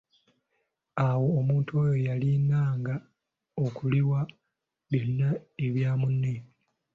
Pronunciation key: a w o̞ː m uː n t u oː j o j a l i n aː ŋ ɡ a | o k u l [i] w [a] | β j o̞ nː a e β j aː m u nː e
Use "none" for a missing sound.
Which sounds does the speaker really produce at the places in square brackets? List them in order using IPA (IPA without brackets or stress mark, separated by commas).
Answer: i, a